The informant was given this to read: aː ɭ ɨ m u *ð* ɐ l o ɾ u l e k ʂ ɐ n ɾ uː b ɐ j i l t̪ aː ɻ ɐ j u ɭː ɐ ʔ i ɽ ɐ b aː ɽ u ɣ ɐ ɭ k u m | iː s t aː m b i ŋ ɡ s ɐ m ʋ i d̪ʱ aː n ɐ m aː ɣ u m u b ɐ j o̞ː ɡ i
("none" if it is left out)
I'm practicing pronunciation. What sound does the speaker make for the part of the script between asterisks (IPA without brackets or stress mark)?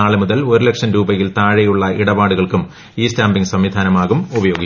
ð